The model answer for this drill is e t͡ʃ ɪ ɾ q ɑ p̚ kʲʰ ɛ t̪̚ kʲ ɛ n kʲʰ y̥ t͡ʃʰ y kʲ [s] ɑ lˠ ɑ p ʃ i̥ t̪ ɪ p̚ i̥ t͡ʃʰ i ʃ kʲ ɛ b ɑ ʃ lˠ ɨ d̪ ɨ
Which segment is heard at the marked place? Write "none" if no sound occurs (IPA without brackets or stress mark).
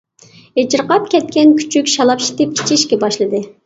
ʃ